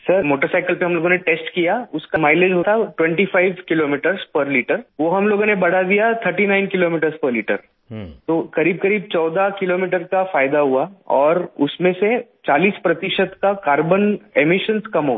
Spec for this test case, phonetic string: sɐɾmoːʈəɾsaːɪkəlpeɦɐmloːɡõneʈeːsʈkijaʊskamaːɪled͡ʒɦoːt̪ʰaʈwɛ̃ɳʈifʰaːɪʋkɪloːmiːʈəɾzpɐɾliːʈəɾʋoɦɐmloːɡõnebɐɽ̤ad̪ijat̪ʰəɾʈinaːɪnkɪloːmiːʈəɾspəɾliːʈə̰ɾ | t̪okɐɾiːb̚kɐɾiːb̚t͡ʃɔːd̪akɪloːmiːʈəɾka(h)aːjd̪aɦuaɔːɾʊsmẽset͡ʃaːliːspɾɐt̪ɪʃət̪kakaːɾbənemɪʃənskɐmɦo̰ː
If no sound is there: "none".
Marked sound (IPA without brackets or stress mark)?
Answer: f